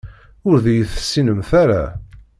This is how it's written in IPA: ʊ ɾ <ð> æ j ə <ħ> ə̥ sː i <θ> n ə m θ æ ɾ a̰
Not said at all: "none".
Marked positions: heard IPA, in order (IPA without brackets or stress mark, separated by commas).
ð, θ, none